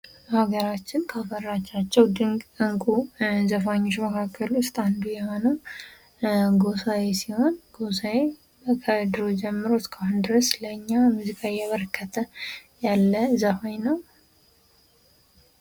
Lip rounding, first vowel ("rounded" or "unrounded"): unrounded